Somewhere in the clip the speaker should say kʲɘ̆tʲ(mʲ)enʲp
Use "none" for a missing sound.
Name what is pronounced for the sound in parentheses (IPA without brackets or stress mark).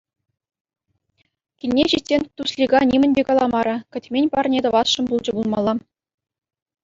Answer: mʲ